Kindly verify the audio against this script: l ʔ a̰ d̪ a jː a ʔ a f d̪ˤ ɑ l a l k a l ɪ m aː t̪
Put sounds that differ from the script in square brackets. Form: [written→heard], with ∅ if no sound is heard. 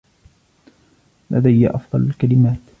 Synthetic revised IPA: l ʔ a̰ d̪ a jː a ʔ [a→ɑ] f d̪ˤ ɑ l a l k a l ɪ m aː t̪

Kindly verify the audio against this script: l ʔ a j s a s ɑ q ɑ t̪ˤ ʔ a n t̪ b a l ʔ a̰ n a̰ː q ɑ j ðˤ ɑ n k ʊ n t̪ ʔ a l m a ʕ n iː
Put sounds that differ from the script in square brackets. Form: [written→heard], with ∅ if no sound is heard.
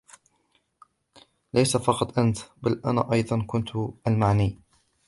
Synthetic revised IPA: l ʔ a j s a [s→f] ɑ q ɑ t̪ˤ ʔ a n t̪ b a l ʔ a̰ n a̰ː [q→ʔ] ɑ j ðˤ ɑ n k ʊ n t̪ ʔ a l m a ʕ n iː

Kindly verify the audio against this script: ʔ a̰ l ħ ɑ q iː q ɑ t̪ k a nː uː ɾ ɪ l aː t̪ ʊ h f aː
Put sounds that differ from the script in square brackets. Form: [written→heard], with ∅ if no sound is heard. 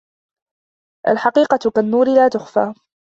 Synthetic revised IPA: ʔ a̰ l ħ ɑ q iː q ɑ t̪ k a nː uː ɾ ɪ l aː t̪ ʊ [h→x] f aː

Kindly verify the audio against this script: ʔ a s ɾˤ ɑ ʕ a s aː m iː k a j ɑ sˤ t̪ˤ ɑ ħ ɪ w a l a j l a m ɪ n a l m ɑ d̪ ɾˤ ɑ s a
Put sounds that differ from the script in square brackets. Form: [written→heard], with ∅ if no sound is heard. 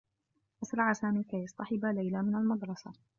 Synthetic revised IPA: ʔ a s ɾˤ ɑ ʕ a s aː m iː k a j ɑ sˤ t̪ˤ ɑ ħ ɪ [w→b] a l a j l a m ɪ n a l m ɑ d̪ ɾˤ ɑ s a

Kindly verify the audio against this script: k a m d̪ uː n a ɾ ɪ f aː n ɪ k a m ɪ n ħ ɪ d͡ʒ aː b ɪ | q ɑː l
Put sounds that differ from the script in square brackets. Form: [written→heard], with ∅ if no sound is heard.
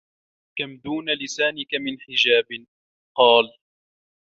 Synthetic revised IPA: k a m d̪ uː n a [ɾ→l] ɪ [f→s] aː n ɪ k a m ɪ n ħ ɪ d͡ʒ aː b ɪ | q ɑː l

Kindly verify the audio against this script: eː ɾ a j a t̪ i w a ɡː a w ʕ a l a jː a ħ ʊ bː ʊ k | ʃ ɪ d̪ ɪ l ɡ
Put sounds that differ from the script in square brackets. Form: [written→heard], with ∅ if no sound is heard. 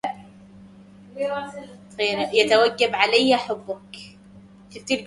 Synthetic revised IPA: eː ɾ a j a t̪ [i→a] w a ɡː a [w→b] ʕ a l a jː a ħ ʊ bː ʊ k | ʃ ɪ [d̪→t̪] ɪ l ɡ

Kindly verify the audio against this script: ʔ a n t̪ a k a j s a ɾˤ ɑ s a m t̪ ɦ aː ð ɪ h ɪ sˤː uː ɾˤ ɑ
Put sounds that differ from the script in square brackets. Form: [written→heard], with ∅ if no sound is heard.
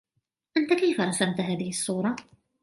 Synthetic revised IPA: ʔ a n t̪ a k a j [s→f] a ɾˤ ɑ s a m t̪ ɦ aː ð ɪ h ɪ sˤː uː ɾˤ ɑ

